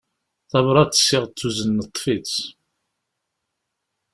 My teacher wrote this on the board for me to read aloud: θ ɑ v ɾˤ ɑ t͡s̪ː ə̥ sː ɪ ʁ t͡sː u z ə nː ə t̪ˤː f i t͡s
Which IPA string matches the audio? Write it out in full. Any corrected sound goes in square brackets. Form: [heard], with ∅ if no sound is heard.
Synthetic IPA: θ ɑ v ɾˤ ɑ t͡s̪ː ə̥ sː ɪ ʁ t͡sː u z ə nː ə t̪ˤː f i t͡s